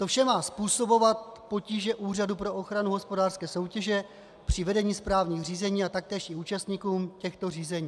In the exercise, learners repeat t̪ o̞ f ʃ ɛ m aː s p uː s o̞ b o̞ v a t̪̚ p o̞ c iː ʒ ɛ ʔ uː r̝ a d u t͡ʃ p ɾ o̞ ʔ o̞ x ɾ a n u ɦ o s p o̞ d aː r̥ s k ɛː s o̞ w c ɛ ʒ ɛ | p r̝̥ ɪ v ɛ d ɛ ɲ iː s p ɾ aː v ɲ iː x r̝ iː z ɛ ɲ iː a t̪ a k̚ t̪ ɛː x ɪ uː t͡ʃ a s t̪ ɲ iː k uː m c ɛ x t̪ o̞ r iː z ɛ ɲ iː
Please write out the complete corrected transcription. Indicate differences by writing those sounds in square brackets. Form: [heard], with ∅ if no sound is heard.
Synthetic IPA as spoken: t̪ o̞ f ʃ ɛ m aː s p uː s o̞ b o̞ v a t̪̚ p o̞ c iː ʒ ɛ ʔ uː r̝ a d u [∅] p ɾ o̞ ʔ o̞ x ɾ a n u ɦ o s p o̞ d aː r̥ s k ɛː s o̞ w c ɛ ʒ ɛ | p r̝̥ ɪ v ɛ d ɛ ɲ iː s p ɾ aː v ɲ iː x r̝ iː z ɛ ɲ iː a t̪ a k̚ t̪ ɛː [ʃ] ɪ uː t͡ʃ a s t̪ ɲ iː k uː m c ɛ x t̪ o̞ r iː z ɛ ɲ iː